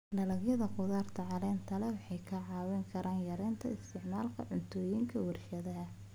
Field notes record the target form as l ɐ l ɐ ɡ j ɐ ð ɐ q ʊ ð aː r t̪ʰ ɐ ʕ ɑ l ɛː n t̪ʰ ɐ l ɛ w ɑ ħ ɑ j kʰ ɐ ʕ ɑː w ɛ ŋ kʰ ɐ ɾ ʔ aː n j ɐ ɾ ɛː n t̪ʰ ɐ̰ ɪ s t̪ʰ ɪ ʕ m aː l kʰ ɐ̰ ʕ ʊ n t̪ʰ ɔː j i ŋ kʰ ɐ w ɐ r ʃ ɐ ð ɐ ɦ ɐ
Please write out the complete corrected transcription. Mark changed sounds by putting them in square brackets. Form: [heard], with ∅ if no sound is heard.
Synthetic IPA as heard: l ɐ l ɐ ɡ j ɐ ð ɐ q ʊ ð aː r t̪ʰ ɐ ʕ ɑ l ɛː n t̪ʰ ɐ l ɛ w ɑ ħ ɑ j kʰ ɐ ʕ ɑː w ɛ ŋ kʰ ɐ ɾ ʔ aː n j ɐ ɾ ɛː n t̪ʰ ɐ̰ ɪ s t̪ʰ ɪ ʕ m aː l kʰ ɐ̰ ʕ ʊ n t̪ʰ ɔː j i ŋ kʰ ɐ w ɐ r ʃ ɐ ð ɐ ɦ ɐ

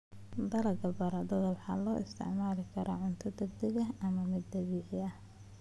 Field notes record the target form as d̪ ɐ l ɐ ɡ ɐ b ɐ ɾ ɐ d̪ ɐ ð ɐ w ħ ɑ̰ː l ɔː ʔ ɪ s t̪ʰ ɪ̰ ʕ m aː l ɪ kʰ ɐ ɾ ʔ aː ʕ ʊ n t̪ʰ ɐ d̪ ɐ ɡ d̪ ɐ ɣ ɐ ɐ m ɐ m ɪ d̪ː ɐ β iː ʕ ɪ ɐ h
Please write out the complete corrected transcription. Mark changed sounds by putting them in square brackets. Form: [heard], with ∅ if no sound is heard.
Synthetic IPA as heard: d̪ ɐ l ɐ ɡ ɐ b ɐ ɾ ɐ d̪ ɐ ð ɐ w ħ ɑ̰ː l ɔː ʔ ɪ s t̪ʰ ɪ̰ ʕ m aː l ɪ kʰ ɐ ɾ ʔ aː ʕ ʊ n t̪ʰ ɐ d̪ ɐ ɡ d̪ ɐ ɣ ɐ ɐ m ɐ m ɪ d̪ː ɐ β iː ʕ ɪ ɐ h

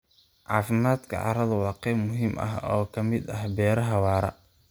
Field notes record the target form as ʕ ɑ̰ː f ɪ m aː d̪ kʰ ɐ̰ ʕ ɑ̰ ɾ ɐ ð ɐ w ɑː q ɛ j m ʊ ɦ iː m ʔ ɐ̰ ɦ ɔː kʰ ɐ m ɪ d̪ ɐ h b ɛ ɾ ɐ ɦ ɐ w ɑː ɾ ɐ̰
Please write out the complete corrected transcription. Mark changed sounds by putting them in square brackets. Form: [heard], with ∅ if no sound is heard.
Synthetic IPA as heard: ʕ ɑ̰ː f ɪ m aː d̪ kʰ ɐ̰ ʕ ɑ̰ ɾ ɐ ð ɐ w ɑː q ɛ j m ʊ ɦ iː m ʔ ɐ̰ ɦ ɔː kʰ ɐ m ɪ d̪ ɐ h b [ɛː] ɾ ɐ ɦ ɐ w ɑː ɾ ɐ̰

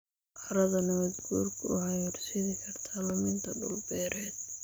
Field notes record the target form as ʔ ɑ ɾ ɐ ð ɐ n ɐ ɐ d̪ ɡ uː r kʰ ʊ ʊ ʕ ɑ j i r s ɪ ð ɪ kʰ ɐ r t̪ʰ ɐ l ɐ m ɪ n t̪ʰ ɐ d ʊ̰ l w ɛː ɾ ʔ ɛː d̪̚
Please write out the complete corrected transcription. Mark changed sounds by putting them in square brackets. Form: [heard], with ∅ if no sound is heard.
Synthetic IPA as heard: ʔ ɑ ɾ ɐ ð ɐ n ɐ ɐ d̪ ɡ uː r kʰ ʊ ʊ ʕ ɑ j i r s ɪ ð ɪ kʰ ɐ r t̪ʰ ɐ l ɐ m ɪ n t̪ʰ ɐ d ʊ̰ l [b] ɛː ɾ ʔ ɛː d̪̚

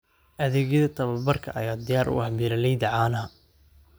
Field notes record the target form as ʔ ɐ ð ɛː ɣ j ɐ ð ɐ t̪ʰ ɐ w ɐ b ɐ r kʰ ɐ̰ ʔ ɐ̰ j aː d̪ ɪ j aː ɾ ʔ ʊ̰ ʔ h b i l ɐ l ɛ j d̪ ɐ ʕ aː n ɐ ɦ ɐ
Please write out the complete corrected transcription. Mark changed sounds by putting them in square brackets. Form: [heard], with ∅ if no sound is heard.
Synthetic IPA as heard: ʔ ɐ ð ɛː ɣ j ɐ ð ɐ t̪ʰ ɐ [β] ɐ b ɐ r kʰ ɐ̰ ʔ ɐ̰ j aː d̪ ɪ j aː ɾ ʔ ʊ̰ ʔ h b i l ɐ l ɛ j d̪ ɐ ʕ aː n ɐ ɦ ɐ

